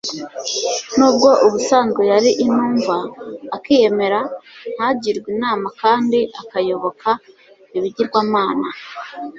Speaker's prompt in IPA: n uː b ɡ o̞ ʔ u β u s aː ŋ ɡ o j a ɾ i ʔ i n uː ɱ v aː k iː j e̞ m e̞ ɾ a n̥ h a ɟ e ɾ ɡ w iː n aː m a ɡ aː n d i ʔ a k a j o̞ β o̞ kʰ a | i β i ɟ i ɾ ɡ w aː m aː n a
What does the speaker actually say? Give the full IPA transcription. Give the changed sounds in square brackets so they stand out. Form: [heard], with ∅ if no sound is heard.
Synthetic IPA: n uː b ɡ o̞ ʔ u β u s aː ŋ ɡ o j a ɾ i ʔ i n uː ɱ v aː k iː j e̞ m e̞ ɾ a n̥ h a ɟ [i] ɾ ɡ w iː n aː m a [k] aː n d i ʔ a k a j o̞ β o̞ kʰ a | i β i ɟ i ɾ ɡ w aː m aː n a